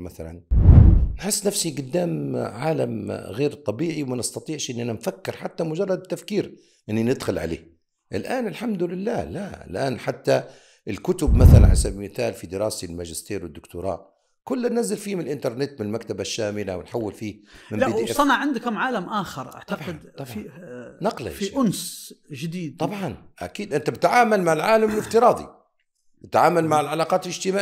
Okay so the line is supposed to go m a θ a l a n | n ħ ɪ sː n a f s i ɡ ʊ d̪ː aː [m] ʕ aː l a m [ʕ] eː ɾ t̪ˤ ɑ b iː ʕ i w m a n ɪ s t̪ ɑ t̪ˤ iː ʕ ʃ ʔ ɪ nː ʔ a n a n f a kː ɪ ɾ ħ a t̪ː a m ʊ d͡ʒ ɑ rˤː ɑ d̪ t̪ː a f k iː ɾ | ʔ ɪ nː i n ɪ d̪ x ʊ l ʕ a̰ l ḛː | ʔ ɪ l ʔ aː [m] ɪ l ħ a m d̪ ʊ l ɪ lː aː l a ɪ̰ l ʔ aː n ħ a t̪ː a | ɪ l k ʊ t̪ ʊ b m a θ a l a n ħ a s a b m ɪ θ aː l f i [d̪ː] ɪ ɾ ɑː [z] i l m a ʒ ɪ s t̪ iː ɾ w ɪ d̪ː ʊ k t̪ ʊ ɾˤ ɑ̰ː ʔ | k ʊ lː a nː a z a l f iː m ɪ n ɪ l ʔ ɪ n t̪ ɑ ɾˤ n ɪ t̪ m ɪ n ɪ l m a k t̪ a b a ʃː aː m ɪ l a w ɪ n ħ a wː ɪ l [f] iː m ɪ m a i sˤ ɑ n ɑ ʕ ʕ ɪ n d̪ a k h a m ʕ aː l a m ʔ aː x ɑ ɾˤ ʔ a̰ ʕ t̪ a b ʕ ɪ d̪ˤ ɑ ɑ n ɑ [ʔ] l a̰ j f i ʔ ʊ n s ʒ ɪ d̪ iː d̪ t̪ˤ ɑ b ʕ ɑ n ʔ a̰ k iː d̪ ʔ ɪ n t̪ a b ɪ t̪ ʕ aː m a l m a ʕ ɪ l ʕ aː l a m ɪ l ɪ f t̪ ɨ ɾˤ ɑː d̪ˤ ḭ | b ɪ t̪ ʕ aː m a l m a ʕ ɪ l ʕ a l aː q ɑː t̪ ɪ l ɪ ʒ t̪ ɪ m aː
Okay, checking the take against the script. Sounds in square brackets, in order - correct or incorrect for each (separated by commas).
correct, incorrect, incorrect, incorrect, incorrect, correct, incorrect